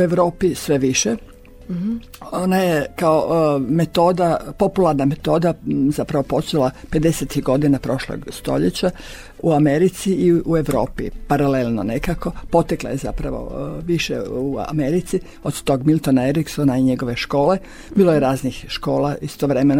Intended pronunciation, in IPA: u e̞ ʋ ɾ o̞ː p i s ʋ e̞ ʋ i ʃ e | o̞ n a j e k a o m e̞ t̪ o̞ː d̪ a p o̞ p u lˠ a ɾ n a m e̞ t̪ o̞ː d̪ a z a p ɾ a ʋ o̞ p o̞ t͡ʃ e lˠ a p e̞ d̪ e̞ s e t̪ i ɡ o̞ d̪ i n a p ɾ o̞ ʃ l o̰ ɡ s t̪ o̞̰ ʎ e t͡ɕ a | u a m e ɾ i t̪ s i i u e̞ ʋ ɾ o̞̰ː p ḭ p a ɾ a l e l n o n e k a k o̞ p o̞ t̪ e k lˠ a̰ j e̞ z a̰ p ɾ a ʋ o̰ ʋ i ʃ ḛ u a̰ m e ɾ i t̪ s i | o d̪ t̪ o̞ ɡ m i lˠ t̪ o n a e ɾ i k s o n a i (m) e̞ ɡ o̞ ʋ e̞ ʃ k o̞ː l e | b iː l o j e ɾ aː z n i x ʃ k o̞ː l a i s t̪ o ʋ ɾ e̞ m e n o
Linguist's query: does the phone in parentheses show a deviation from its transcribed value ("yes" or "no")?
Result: yes